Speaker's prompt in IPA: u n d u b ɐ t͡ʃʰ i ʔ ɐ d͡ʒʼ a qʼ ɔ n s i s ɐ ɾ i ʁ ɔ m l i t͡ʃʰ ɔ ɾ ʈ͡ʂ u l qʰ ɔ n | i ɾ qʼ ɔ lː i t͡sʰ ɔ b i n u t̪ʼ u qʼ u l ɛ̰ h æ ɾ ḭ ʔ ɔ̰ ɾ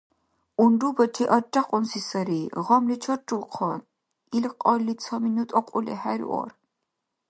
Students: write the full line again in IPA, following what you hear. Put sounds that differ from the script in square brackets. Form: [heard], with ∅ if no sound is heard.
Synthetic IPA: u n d u b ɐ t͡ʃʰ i ʔ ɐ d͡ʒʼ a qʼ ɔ n s i s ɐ ɾ i ʁ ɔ m l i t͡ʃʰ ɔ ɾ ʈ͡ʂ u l qʰ ɔ n | i [l] qʼ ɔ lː i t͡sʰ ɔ [m] i n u t̪ʼ [ɔ] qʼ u l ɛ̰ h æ ɾ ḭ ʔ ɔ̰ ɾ

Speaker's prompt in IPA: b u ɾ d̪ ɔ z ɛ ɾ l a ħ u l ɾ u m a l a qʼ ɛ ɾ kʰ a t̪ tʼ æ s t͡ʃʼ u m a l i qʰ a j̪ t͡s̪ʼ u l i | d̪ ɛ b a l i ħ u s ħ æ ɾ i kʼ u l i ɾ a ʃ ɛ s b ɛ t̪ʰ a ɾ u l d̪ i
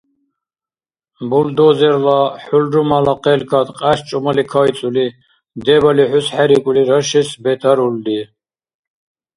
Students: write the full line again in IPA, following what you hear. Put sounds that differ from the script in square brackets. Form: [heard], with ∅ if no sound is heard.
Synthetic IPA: b u [l] d̪ ɔ z ɛ ɾ l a ħ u l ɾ u m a l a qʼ ɛ [l] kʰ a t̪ [qʼ] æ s t͡ʃʼ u m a l i [kʰ] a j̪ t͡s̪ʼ u l i | d̪ ɛ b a l i ħ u s ħ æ ɾ i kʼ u l i ɾ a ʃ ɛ s b ɛ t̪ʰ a ɾ u l d̪ i

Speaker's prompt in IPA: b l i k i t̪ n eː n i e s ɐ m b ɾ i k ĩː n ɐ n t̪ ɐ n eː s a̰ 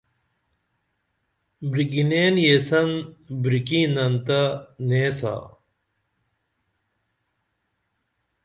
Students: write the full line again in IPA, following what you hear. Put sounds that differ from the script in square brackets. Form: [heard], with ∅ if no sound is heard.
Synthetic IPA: b [ɾ] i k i [∅] n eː n [j] e s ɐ [n] b ɾ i k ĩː n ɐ n t̪ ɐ n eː s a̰

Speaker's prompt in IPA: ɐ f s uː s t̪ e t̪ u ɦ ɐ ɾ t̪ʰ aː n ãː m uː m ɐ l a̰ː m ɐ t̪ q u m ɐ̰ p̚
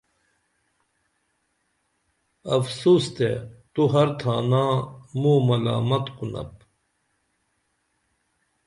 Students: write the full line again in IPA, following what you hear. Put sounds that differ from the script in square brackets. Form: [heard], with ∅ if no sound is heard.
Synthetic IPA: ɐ f s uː s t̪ e t̪ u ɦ ɐ ɾ t̪ʰ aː n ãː m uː m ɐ l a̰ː m ɐ t̪ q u [n] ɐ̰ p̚

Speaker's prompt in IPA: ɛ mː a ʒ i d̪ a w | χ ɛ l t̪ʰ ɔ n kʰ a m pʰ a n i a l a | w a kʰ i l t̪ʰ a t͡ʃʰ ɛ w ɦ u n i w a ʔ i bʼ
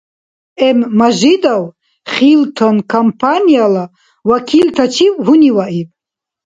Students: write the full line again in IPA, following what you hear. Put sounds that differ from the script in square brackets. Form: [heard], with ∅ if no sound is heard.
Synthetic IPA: ɛ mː a ʒ i d̪ a w | χ [i] l t̪ʰ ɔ n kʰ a m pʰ a n i a l a | w a kʰ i l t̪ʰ a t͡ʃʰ [i] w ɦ u n i w a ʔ i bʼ

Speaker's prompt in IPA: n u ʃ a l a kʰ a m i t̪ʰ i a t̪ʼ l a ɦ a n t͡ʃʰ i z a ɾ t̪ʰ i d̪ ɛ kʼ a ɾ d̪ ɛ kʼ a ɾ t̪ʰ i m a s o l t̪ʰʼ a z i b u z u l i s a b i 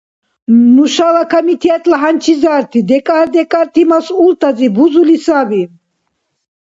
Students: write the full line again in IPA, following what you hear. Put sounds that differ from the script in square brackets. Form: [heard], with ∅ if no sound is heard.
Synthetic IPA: n u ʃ a l a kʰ a m i t̪ʰ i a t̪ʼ l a ɦ a n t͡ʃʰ i z a ɾ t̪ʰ i d̪ ɛ kʼ a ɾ d̪ ɛ kʼ a ɾ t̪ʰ i m a s [u] l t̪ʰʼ a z i b u z u l i s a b i

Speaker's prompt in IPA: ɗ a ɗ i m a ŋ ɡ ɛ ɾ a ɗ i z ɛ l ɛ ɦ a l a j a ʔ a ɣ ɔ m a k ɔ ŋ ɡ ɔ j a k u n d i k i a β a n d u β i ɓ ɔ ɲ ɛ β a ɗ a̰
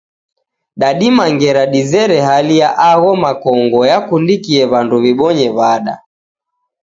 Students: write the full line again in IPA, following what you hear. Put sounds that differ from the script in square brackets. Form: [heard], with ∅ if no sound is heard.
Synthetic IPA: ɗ a ɗ i m a ŋ ɡ ɛ ɾ a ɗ i z ɛ [ɾ] ɛ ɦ a l [i] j a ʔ a ɣ ɔ m a k ɔ ŋ ɡ ɔ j a k u n d i k i [ɛ] β a n d u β i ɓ ɔ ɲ ɛ β a ɗ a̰

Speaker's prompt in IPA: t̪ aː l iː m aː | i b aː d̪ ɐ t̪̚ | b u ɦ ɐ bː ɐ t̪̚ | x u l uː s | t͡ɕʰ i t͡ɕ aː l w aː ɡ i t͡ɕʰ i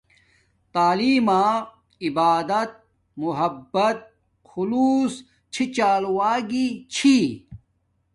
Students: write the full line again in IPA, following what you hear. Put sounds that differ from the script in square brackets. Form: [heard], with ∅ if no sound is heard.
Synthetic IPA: t̪ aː l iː m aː | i b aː d̪ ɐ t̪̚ | [m] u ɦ ɐ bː ɐ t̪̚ | x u l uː s | t͡ɕʰ i t͡ɕ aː l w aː ɡ i t͡ɕʰ i

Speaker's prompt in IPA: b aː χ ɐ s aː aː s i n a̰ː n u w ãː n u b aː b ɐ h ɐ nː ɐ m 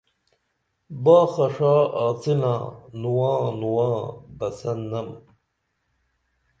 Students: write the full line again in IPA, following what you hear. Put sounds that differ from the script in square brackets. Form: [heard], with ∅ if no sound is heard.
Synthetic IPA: b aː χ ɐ [ʂ] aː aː [t͡s] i n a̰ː n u w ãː n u [w] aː b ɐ [s] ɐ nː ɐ m

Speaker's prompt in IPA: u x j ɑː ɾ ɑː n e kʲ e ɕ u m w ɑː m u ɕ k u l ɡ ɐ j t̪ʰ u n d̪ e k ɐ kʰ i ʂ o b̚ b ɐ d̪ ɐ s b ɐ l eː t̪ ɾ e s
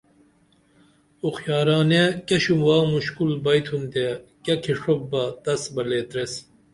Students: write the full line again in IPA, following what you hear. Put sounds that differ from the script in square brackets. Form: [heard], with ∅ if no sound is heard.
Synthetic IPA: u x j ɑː ɾ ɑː n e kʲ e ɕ u m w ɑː m u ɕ k u l [b] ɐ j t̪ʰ u n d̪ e k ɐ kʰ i ʂ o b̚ b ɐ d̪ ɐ s b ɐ l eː t̪ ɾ e s

